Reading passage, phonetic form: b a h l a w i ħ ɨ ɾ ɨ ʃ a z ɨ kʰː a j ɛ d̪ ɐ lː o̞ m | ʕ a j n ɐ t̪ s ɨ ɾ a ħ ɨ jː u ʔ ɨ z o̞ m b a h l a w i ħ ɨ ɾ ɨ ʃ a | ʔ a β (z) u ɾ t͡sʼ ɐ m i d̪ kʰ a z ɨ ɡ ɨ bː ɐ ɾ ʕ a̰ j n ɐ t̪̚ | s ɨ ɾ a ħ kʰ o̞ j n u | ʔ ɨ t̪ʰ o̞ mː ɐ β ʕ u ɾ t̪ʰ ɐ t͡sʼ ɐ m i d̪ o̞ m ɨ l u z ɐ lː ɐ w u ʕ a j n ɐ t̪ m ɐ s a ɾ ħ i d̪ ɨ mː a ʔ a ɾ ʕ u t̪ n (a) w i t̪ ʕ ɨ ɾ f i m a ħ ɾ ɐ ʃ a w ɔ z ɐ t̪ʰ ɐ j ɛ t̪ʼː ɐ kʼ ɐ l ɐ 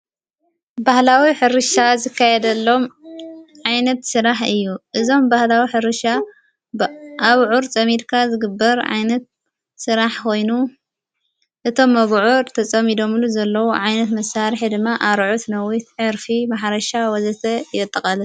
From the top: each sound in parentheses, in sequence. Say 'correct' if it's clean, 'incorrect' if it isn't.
incorrect, incorrect

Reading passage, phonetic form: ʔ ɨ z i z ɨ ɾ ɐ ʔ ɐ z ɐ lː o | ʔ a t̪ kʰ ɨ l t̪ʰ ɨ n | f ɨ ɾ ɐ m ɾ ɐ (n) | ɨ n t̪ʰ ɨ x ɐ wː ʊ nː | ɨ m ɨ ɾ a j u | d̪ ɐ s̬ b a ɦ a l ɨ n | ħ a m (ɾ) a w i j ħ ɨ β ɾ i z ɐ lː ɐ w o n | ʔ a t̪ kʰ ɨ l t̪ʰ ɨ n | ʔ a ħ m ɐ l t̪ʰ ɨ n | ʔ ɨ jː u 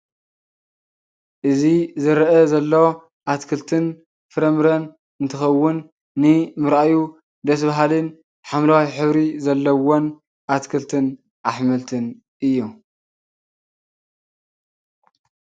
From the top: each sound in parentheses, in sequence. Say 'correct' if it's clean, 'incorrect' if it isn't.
correct, incorrect

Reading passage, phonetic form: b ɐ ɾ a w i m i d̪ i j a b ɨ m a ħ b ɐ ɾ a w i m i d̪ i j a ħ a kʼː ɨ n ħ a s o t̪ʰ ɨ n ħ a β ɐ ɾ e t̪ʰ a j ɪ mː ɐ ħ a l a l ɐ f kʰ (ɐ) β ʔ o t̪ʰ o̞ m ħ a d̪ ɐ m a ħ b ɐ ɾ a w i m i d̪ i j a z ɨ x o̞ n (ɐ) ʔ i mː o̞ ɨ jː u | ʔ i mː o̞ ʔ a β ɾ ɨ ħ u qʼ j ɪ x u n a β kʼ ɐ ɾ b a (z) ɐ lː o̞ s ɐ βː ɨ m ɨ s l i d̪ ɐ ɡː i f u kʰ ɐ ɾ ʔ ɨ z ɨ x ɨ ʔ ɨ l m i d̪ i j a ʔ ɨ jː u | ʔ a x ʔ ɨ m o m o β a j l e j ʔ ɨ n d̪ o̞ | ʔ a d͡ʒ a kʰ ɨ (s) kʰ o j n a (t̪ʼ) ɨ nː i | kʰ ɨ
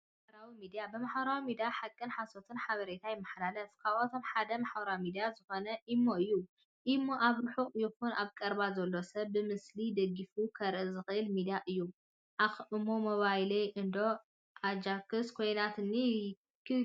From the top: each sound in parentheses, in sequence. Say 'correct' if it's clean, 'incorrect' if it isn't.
incorrect, correct, correct, correct, incorrect

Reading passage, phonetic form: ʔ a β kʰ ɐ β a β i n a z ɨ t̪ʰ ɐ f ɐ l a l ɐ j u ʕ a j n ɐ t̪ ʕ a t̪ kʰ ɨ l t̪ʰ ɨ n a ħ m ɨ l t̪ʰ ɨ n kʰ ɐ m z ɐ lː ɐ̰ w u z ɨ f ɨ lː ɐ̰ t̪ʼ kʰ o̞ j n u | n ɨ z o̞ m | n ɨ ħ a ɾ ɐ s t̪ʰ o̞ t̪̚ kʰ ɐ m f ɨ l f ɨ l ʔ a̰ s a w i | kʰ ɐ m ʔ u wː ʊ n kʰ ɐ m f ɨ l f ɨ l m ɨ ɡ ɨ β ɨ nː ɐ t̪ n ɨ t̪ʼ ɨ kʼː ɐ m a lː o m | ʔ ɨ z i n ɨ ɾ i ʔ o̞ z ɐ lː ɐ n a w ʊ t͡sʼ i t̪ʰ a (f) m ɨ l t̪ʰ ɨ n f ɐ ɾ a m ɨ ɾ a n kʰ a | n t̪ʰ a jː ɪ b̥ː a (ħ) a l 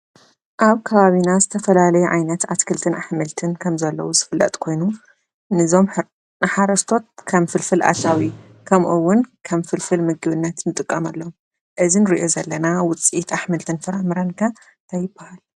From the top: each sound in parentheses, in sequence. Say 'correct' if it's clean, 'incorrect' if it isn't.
incorrect, incorrect

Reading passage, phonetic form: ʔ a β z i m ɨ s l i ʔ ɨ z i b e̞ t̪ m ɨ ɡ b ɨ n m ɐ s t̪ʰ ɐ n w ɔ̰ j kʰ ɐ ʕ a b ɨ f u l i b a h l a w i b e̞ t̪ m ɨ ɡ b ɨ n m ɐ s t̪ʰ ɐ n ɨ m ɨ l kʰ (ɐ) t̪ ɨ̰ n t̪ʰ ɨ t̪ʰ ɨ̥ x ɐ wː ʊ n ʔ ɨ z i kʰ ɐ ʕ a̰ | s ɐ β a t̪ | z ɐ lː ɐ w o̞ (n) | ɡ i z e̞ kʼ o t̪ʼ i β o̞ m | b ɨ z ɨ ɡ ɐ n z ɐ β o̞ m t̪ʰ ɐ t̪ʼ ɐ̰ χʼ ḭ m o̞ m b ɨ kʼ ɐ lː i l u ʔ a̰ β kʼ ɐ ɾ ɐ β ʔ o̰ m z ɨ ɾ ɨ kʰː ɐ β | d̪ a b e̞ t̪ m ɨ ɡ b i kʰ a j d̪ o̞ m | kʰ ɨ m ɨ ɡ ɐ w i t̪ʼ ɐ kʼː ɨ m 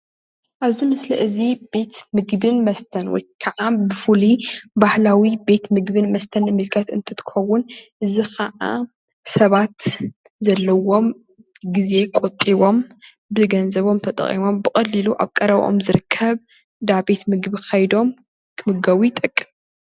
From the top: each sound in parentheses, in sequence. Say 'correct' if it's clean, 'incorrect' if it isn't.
correct, incorrect

